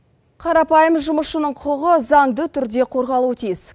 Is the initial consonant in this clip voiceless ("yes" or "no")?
yes